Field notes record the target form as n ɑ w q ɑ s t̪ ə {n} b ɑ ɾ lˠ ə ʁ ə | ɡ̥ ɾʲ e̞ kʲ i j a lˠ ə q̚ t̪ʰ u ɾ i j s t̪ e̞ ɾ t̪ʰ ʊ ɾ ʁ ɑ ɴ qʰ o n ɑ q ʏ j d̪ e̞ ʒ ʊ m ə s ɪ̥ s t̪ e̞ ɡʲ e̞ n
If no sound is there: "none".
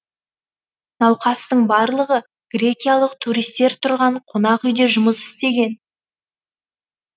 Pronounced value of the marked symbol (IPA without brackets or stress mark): ɴ